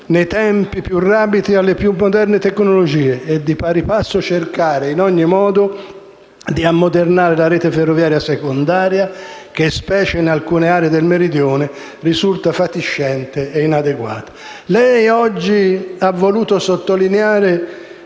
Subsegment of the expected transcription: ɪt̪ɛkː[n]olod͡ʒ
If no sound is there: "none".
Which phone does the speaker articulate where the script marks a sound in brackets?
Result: n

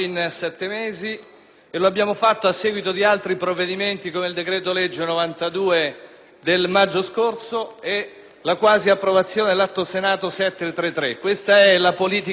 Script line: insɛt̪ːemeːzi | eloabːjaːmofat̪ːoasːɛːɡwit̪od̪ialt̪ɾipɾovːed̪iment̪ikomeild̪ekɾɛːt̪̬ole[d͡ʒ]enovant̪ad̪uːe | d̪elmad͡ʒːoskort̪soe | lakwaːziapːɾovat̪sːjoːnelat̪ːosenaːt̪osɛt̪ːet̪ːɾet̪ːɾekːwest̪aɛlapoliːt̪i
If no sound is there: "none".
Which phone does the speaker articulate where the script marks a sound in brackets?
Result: d͡ʒː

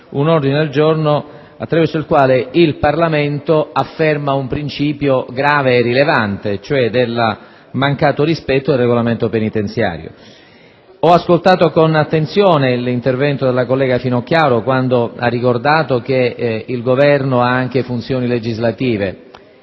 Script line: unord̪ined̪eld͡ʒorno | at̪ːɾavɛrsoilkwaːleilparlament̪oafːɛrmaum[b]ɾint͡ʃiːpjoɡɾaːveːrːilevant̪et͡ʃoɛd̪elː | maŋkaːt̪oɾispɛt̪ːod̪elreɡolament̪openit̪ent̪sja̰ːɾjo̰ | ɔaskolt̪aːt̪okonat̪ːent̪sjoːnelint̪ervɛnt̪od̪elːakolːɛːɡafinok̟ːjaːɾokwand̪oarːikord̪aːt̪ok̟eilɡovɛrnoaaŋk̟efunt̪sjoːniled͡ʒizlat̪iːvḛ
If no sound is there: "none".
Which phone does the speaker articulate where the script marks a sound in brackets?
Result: p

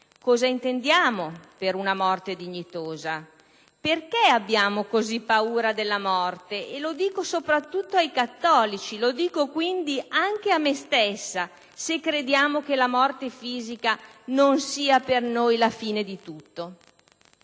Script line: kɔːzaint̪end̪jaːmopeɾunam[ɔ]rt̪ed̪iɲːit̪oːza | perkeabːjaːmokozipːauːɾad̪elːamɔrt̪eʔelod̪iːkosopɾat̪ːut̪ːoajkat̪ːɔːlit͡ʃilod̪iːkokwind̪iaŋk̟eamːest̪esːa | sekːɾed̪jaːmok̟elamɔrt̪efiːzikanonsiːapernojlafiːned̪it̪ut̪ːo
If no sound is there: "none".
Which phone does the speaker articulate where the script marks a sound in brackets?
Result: ɔ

